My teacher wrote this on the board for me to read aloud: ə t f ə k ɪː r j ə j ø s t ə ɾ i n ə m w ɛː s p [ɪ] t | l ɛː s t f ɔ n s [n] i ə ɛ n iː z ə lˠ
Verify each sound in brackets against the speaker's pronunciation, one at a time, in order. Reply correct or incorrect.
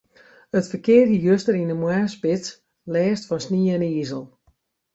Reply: correct, correct

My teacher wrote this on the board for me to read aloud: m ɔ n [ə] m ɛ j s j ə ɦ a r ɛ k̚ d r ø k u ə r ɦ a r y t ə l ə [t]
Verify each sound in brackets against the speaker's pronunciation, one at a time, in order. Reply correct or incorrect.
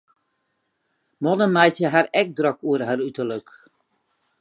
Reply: correct, incorrect: k

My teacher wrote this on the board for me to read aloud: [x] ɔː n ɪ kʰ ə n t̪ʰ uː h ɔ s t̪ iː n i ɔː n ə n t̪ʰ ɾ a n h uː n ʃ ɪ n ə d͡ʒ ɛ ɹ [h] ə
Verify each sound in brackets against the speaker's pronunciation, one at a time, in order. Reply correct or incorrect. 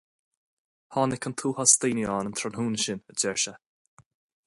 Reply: incorrect: h, incorrect: ʃ

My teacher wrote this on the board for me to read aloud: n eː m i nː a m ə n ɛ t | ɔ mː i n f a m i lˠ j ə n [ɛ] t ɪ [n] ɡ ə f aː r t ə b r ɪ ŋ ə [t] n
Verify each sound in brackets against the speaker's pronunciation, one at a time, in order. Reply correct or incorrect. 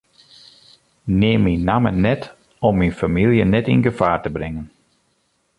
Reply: correct, correct, incorrect: none

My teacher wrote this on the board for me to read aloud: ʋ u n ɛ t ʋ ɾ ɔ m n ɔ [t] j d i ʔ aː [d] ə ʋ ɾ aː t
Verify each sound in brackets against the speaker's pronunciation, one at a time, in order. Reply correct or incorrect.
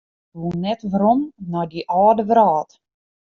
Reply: incorrect: none, correct

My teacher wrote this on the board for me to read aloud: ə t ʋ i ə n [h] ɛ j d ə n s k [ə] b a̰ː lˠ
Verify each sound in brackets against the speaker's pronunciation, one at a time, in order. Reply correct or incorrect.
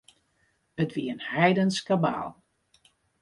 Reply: correct, incorrect: a

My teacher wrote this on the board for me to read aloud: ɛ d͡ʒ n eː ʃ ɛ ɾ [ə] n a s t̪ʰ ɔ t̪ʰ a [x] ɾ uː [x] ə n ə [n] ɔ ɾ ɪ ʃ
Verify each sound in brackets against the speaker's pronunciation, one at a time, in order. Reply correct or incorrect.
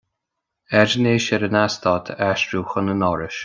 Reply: correct, incorrect: ʃ, correct, correct

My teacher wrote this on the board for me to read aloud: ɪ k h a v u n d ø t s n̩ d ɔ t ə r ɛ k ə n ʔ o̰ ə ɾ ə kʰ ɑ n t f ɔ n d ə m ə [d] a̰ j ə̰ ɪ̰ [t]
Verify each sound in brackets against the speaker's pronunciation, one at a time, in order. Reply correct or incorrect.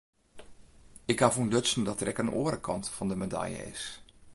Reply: correct, incorrect: s

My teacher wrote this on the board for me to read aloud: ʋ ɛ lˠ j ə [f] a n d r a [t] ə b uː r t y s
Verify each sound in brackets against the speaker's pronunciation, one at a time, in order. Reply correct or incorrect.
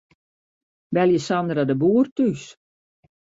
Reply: incorrect: s, incorrect: d

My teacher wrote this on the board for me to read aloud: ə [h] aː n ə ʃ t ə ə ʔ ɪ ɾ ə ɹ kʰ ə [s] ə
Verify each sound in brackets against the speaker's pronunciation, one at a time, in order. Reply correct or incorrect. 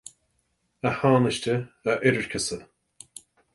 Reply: correct, correct

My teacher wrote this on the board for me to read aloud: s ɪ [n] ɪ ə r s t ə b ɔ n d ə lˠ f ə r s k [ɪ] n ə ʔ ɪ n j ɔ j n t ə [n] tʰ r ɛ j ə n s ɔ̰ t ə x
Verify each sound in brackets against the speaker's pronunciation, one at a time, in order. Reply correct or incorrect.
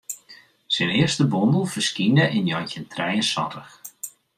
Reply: correct, incorrect: i, correct

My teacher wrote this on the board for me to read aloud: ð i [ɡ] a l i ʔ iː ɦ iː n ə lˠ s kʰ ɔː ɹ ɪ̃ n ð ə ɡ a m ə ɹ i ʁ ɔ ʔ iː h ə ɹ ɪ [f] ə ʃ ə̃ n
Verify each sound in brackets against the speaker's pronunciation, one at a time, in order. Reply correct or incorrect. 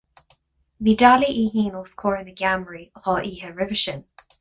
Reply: incorrect: d, incorrect: v

